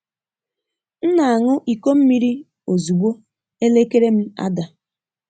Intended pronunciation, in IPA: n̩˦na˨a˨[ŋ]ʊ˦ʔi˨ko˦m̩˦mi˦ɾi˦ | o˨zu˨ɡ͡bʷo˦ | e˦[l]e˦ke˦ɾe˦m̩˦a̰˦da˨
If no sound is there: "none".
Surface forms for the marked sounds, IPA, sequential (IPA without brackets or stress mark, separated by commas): ŋ, l